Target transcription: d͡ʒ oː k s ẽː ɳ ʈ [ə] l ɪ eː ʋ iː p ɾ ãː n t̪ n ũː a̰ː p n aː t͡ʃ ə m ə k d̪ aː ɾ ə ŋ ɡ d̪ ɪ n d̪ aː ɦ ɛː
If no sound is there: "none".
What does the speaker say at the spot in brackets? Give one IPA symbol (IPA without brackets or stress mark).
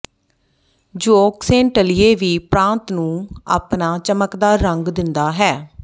ə